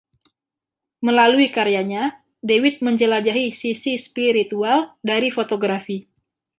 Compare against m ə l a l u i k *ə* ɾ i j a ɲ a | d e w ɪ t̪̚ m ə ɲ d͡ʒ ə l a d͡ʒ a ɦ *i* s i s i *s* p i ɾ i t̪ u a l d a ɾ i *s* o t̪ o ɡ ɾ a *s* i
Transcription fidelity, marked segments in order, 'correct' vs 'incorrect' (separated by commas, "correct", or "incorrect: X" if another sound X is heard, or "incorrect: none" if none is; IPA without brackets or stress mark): incorrect: a, correct, correct, incorrect: f, incorrect: f